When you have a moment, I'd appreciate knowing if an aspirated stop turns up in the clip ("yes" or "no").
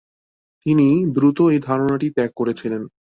yes